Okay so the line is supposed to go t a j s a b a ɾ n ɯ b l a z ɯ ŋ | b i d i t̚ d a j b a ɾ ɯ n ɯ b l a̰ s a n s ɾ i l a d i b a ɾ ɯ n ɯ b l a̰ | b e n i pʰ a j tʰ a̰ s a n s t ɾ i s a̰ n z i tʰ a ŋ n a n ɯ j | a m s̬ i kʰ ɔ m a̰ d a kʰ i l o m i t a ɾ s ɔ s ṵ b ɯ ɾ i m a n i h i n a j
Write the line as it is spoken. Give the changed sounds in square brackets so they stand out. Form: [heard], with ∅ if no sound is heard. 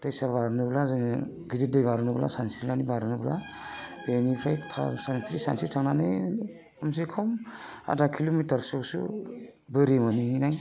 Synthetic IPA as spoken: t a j s a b a ɾ n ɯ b l a z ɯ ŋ | [ɡ] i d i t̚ d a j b a ɾ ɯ n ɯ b l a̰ s a n s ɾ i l a [n] i b a ɾ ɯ n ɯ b l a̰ | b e n i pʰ a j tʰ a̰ s a n s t ɾ i s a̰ n [s] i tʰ a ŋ n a n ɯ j | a m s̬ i kʰ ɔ m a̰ d a kʰ i l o m i t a ɾ s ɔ s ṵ b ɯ ɾ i m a n i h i n a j